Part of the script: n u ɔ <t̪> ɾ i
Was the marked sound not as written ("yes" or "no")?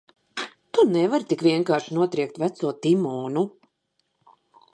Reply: no